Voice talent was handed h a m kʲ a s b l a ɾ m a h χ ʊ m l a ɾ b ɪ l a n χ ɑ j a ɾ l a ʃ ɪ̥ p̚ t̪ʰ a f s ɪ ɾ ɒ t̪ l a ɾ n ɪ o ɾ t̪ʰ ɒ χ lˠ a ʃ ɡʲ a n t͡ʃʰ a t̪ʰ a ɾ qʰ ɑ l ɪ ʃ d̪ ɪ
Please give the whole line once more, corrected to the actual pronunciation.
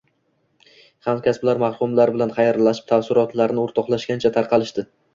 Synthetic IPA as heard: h a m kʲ a s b l a ɾ m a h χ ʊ m l a ɾ b ɪ l a n χ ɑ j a ɾ l a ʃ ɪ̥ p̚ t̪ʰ a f s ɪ ɾ ɒ t̪ l a ɾ n ɪ o ɾ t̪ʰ ɒ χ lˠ a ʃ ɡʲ a n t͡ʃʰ a t̪ʰ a ɾ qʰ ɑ l ɪ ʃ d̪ ɪ